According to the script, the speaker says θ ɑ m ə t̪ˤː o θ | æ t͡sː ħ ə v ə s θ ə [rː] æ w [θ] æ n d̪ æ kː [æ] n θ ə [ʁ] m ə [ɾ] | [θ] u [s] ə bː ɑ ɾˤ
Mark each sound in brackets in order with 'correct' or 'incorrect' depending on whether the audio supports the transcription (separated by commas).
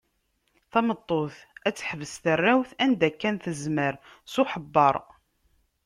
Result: correct, correct, correct, incorrect, correct, incorrect, incorrect